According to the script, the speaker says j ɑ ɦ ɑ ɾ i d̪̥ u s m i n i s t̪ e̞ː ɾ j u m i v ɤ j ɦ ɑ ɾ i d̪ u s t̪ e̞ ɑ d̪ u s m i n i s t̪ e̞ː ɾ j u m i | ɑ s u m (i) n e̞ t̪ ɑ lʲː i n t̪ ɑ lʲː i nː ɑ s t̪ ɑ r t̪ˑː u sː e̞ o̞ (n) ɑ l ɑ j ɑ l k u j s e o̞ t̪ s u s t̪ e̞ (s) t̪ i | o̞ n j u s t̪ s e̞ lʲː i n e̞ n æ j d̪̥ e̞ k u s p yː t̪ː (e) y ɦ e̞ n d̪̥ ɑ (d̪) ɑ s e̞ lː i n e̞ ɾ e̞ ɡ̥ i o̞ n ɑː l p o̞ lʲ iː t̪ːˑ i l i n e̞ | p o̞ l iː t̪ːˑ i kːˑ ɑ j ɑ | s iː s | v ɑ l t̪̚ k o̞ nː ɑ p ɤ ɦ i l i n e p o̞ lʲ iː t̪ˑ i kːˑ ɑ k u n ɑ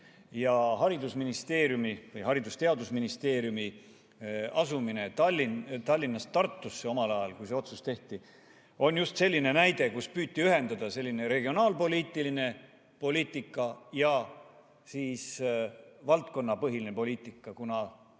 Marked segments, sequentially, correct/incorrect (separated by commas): correct, incorrect, incorrect, incorrect, correct